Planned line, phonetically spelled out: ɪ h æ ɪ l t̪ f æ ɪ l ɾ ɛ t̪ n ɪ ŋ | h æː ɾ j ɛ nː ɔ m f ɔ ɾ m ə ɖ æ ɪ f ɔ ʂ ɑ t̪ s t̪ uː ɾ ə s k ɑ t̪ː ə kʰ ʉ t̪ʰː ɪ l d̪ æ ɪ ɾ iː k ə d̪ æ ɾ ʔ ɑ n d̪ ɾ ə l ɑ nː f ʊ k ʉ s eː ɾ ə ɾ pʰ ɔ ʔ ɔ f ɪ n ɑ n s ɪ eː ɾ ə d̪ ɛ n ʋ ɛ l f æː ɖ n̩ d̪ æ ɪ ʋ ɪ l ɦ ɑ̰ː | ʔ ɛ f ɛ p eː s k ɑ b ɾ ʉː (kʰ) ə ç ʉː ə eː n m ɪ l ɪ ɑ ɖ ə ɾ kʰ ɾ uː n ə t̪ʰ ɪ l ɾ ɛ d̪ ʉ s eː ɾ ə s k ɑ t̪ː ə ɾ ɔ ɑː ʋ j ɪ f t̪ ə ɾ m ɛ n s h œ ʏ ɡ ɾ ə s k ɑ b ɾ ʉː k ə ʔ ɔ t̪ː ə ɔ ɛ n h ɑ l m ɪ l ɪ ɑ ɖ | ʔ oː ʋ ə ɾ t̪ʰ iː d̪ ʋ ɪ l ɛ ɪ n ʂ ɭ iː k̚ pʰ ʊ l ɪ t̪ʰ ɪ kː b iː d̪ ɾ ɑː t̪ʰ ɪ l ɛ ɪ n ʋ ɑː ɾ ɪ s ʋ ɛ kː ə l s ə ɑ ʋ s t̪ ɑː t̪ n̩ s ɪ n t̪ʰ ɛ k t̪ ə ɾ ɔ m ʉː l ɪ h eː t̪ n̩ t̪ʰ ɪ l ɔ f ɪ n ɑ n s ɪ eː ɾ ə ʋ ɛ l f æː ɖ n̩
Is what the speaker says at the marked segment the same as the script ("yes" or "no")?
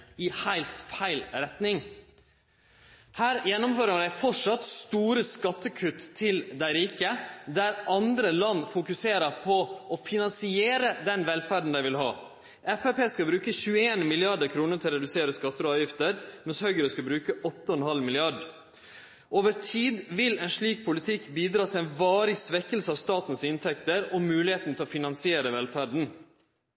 no